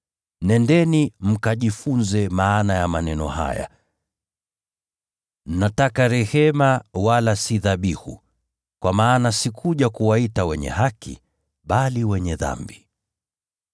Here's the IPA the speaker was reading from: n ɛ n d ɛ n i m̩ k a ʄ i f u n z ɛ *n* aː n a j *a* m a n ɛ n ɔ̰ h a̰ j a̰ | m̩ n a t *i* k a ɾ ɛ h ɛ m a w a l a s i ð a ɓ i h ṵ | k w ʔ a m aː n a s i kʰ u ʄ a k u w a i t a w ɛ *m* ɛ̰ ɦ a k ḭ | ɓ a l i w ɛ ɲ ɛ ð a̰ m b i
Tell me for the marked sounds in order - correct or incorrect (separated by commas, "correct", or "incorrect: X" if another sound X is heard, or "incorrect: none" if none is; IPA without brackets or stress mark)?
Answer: incorrect: m, correct, incorrect: a, incorrect: ɲ